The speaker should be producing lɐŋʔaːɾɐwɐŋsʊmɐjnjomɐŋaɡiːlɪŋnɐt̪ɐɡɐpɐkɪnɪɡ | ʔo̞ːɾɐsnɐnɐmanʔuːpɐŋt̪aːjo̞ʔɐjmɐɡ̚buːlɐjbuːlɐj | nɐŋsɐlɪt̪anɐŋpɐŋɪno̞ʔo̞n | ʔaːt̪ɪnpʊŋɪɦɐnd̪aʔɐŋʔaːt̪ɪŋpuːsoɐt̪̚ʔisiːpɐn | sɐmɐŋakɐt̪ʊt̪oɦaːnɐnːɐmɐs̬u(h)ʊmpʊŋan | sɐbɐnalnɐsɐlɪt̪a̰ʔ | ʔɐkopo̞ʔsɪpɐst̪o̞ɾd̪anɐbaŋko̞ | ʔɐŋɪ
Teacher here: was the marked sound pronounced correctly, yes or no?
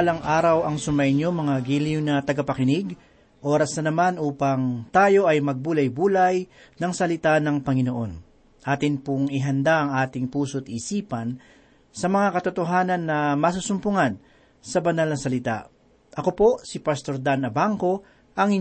no